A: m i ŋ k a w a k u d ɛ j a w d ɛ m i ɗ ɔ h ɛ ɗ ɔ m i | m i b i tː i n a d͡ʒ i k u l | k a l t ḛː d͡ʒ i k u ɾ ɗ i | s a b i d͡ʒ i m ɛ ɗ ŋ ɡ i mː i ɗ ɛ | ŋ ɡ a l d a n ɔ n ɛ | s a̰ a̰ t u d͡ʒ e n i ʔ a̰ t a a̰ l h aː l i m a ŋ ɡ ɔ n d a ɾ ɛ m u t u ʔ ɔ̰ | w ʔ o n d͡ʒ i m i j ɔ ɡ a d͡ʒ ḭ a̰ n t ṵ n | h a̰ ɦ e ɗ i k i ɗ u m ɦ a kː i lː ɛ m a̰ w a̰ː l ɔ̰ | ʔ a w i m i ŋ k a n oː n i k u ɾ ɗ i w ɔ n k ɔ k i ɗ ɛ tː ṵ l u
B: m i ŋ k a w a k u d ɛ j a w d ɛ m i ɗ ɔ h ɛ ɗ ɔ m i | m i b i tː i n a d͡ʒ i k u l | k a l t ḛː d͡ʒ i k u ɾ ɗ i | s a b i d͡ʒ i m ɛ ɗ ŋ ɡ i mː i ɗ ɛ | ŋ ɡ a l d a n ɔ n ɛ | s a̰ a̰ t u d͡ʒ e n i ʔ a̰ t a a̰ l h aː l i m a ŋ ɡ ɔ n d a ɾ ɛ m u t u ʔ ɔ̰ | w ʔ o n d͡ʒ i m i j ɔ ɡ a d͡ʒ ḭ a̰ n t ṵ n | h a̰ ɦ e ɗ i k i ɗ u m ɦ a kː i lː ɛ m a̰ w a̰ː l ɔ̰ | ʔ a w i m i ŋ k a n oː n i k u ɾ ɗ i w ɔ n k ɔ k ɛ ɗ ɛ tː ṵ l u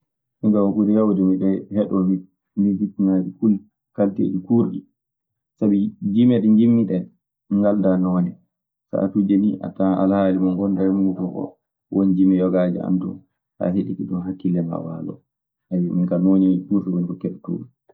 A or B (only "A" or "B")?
B